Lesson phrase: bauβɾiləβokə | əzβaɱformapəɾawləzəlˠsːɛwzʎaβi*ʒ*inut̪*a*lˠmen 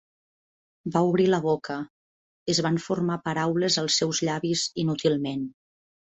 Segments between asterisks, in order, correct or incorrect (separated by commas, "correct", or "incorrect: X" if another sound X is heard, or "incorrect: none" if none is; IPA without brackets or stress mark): incorrect: z, incorrect: i